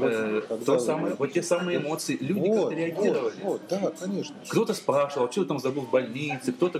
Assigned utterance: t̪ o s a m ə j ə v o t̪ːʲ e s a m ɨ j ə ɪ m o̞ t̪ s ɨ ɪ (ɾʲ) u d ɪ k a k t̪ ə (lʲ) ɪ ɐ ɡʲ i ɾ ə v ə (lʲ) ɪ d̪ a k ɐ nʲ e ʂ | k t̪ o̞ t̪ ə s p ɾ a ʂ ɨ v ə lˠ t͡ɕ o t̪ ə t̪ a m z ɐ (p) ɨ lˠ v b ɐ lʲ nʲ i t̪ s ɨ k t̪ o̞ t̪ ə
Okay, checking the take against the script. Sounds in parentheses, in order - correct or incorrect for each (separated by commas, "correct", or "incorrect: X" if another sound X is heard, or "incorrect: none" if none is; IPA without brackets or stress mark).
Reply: incorrect: lʲ, incorrect: ɾʲ, correct, incorrect: b